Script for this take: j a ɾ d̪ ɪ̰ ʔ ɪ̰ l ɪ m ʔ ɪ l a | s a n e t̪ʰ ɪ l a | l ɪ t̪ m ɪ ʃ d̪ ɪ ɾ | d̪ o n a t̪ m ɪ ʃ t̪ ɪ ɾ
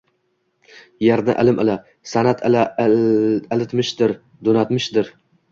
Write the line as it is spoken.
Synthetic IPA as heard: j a ɾ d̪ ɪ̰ ʔ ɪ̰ l ɪ m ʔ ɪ l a | s a n a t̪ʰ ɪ l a | l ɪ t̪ m ɪ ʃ d̪ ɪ ɾ | d̪ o n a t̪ m ɪ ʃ d̪ ɪ ɾ